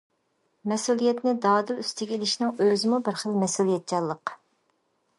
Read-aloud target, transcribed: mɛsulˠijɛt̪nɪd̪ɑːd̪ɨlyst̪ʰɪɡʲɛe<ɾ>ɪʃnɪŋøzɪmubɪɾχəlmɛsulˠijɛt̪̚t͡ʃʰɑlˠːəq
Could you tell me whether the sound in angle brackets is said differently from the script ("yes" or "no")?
yes